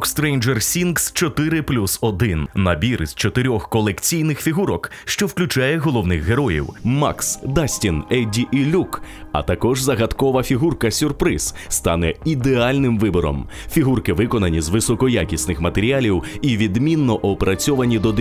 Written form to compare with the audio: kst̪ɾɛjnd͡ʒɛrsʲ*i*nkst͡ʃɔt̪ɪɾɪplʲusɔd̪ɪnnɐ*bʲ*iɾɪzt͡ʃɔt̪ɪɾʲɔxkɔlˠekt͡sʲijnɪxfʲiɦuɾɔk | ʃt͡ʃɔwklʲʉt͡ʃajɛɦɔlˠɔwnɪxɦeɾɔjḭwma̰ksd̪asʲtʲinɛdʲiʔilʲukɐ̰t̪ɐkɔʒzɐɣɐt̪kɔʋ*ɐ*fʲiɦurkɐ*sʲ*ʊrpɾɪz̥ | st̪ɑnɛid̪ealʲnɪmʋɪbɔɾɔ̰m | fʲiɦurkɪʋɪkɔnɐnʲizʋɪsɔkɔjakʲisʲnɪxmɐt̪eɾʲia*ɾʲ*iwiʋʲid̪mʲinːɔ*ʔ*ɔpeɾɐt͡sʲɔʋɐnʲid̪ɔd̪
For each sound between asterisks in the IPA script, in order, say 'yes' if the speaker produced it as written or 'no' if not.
yes, yes, yes, yes, no, yes

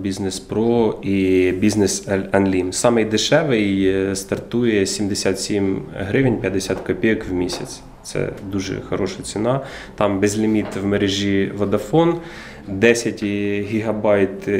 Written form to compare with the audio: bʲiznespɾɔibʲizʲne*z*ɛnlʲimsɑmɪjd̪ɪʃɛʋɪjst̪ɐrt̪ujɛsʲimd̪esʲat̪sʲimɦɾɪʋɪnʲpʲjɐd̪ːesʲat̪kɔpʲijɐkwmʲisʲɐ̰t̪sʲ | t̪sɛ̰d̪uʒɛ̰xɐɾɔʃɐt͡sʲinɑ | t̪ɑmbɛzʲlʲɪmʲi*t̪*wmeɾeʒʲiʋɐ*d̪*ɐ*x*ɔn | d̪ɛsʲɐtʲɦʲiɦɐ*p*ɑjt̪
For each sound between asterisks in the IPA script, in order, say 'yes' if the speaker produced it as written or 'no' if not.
no, yes, yes, no, no

